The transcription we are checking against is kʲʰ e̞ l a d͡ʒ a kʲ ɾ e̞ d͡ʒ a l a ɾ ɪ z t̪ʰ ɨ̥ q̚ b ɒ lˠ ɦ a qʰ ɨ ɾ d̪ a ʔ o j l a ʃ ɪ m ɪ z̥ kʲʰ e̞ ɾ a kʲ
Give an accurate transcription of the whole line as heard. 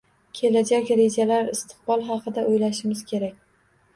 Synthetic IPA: kʲʰ e̞ l a d͡ʒ a kʲ ɾ e̞ d͡ʒ a l a ɾ ɪ s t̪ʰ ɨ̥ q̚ b ɒ lˠ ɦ ɑ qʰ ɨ d̪ a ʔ o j l a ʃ ɪ m ɪ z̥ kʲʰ e̞ ɾ a kʲ

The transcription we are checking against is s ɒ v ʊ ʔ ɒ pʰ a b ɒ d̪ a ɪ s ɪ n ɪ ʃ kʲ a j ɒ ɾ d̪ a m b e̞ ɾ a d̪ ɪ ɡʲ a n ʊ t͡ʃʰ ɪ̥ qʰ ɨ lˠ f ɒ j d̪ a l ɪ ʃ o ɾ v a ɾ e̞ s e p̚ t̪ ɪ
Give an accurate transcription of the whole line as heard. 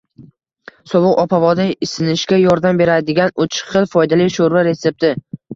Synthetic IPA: s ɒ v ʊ q ɒ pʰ a v ɒ d̪ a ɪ s ɪ n ɪ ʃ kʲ a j ɒ ɾ d̪ a m b e̞ ɾ a d̪ ɪ ɡʲ a n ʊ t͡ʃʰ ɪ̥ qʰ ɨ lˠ f ɒ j d̪ a l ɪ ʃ o ɾ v a ɾ e̞ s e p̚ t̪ ɪ

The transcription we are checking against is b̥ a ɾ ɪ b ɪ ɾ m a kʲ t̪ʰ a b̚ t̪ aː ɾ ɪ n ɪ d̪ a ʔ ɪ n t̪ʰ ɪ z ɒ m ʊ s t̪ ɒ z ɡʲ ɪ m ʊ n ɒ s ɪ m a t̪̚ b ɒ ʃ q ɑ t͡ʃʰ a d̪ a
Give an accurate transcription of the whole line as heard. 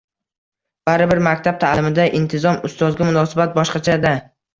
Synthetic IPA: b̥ a ɾ ɪ b ɪ ɾ m a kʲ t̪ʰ a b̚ t̪ʰ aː l ɪ m ɪ d̪ a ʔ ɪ n t̪ʰ ɪ z ɒ m ʊ s t̪ ɒ z ɡʲ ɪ m ʊ n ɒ s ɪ b a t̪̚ b ɒ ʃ q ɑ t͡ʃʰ a d̪ a

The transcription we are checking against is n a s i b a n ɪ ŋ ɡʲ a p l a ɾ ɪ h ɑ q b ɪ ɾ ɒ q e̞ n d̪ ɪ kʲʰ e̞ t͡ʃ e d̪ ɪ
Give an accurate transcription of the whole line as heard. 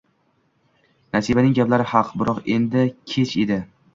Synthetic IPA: n a s i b a n ɪ ŋ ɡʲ a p l a ɾ ɪ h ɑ q b ɪ ɾ ɒ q e̞ n d̪ ɪ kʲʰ e̞ t͡ʃ e d̪ ɪ

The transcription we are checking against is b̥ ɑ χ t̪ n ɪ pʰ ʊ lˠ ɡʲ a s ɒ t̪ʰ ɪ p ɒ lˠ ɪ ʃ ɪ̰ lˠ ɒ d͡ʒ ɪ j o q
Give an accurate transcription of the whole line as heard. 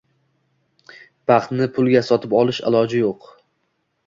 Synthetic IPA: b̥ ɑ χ t̪ n ɪ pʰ ʊ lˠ ɡʲ a s ɒ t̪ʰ ɪ p ɒ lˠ ɪ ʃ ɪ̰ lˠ ɒ d͡ʒ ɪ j o q

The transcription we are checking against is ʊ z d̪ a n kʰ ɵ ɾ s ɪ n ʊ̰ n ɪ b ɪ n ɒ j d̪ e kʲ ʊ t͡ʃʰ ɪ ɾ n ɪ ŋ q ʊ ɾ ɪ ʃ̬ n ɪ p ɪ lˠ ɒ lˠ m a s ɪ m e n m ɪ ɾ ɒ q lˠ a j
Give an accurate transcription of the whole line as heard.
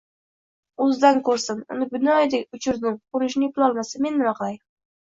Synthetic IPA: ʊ z d̪ a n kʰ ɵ ɾ s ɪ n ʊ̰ n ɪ b ɪ n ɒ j d̪ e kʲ ʊ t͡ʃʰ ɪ ɾ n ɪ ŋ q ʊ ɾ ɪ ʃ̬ n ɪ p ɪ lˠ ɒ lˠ m a s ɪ m e n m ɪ ɾ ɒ q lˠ a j

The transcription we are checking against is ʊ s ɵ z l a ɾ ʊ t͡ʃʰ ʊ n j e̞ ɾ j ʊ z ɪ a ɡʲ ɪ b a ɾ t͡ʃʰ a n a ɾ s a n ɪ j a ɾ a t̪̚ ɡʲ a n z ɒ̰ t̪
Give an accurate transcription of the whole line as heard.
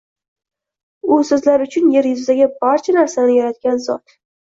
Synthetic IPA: ʊ s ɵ z l a ɾ ʊ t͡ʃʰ ʊ n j e̞ ɾ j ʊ z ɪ a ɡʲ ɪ b a ɾ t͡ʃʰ a n a ɾ s a n ɪ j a ɾ a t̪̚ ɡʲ a n z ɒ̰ t̪

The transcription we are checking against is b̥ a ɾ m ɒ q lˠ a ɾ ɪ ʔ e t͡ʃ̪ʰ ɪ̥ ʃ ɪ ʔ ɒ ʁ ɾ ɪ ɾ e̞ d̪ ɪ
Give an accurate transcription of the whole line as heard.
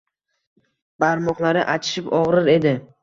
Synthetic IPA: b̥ a ɾ m ɒ q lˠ a ɾ ɪ ʔ a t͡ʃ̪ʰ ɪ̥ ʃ ɪ p ɒ ʁ ɾ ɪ ɾ e̞ d̪ ɪ

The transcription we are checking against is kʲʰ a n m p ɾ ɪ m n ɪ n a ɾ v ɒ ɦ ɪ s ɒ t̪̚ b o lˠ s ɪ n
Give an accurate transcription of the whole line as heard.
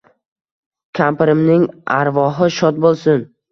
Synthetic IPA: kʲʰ a m p ɾ ɪ m n ɪ ŋ a ɾ v ɒ ɦ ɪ ʃ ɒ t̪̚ b o lˠ s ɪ n

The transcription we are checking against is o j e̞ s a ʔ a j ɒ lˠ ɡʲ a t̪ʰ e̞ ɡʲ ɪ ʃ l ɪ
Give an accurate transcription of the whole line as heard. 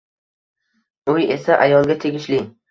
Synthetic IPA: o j e̞ s a ʔ a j ɒ lˠ ɡʲ a t̪ʰ e̞ ɡʲ ɪ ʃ l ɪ

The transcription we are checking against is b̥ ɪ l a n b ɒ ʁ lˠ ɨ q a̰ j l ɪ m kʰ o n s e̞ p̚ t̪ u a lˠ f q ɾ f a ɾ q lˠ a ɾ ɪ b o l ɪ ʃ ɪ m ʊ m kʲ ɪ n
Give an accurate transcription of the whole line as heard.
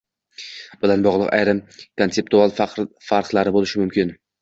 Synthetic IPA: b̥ ɪ l a n b ɒ ʁ lˠ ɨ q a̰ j ɾ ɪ m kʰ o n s e̞ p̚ t̪ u a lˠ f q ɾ f a ɾ q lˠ a ɾ ɪ b o l ɪ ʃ ɪ m ʊ m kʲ ɪ n

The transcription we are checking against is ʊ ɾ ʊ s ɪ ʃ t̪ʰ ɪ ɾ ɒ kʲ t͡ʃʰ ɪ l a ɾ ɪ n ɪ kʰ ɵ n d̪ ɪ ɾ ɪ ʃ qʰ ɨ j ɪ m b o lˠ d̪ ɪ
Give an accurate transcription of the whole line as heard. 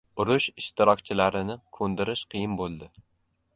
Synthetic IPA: ʊ ɾ ʊ ʃ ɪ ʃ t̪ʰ ɪ ɾ ɒ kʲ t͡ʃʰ ɪ l a ɾ ɪ n ɪ kʰ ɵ n d̪ ɪ ɾ ɪ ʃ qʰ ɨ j ɪ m b o lˠ d̪ ɪ

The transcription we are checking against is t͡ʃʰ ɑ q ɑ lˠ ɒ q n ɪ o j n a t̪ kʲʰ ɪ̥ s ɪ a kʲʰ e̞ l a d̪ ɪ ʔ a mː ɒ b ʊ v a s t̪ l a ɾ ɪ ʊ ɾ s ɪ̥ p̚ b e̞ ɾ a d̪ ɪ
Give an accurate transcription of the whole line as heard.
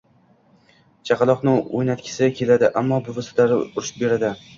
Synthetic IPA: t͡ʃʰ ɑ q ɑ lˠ ɒ q n ɪ o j n a t̪ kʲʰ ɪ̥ s ɪ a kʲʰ e̞ l a d̪ ɪ ʔ a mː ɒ b ʊ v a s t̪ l a ɾ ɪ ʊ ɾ ʃ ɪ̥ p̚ b e̞ ɾ a d̪ ɪ

